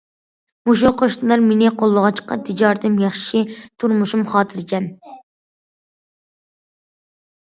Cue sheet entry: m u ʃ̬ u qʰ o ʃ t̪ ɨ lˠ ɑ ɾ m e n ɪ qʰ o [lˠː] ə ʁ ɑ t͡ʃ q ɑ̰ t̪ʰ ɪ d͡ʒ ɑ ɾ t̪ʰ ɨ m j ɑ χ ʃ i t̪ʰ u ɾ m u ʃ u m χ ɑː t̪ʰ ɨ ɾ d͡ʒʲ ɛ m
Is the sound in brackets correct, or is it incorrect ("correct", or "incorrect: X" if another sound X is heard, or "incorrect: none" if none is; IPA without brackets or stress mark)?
correct